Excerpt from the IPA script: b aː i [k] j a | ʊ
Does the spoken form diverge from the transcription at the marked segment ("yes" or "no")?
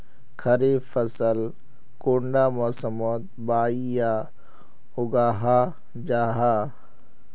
yes